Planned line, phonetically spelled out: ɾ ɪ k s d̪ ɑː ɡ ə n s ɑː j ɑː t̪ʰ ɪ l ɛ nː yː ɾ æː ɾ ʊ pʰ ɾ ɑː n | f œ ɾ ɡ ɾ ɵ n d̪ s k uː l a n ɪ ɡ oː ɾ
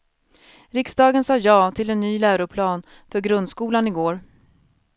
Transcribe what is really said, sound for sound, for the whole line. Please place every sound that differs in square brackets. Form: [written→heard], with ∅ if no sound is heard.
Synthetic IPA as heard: ɾ ɪ k s d̪ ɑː ɡ ə n s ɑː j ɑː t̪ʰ ɪ l ɛ nː yː [ɾ→l] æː ɾ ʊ pʰ [ɾ→l] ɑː n | f œ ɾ ɡ ɾ ɵ n d̪ s k uː l a n ɪ ɡ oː ɾ